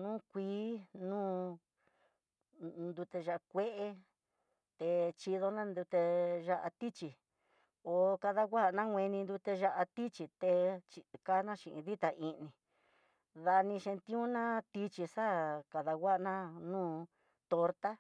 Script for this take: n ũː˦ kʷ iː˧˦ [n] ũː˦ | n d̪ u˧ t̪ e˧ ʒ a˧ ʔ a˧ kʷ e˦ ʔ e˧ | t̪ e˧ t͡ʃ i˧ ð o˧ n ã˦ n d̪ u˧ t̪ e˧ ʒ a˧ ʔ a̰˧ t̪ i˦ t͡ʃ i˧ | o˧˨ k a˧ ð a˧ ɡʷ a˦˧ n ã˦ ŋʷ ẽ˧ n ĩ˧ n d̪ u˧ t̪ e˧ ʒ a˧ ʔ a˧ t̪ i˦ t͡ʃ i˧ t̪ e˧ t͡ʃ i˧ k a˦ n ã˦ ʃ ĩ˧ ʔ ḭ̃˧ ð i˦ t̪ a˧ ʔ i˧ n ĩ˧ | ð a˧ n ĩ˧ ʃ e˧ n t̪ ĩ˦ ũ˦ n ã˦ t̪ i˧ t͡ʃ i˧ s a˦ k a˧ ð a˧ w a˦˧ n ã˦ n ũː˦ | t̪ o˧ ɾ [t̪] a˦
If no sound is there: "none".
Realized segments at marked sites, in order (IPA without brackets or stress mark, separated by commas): n, t̪